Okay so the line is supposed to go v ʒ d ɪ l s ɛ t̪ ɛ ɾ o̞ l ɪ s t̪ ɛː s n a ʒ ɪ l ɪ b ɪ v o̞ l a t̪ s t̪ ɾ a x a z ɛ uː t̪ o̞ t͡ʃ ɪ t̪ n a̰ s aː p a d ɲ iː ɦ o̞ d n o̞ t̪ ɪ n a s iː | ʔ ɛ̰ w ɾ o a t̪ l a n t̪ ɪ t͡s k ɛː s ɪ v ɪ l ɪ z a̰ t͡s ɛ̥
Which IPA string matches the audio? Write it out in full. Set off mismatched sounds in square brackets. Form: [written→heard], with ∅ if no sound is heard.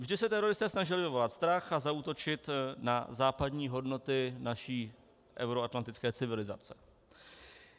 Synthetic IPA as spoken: v ʒ d ɪ [l→∅] s ɛ t̪ ɛ ɾ o̞ [l→ɾ] ɪ s t̪ ɛː s n a ʒ ɪ l ɪ [b→v] ɪ v o̞ l a t̪ s t̪ ɾ a x a z [ɛ→a] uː t̪ o̞ t͡ʃ ɪ t̪ n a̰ [s→z] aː p a d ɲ iː ɦ o̞ d n o̞ t̪ ɪ n a [s→ʃ] iː | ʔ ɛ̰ w ɾ o a t̪ l a n t̪ ɪ t͡s k ɛː [s→t͡s] ɪ v ɪ l ɪ z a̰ t͡s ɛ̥